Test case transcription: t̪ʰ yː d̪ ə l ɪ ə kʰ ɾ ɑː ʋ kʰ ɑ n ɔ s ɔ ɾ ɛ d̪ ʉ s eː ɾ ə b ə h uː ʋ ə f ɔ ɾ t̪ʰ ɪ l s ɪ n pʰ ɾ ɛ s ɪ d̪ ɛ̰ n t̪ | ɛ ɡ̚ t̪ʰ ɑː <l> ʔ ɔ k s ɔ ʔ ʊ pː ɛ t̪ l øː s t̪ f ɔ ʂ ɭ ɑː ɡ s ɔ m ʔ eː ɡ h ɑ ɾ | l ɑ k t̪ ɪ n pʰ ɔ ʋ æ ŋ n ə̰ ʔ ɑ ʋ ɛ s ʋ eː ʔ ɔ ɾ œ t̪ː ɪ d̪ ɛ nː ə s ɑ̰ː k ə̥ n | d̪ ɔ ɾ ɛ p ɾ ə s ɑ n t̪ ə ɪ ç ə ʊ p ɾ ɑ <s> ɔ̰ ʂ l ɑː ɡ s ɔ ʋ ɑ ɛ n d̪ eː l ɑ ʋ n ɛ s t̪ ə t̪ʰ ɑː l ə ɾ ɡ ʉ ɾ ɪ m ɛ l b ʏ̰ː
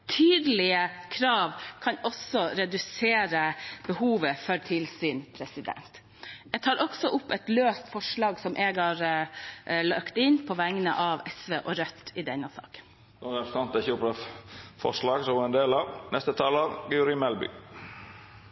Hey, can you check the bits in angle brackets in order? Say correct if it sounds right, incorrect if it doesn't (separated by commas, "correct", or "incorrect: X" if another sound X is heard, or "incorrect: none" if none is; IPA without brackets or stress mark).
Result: incorrect: ɾ, incorrect: f